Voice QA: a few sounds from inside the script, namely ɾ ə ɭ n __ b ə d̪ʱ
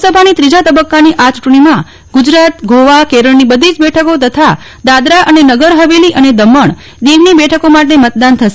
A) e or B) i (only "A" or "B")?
B